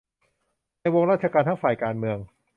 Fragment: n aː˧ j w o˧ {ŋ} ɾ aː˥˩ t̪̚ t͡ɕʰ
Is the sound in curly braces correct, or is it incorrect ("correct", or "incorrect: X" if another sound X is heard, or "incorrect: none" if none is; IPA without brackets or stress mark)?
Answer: correct